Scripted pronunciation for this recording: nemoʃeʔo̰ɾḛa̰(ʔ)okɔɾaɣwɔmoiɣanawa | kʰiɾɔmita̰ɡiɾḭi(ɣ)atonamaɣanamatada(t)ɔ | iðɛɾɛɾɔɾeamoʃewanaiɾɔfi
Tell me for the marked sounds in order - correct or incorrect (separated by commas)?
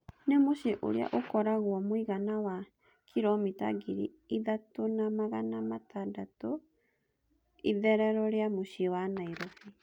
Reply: correct, incorrect, correct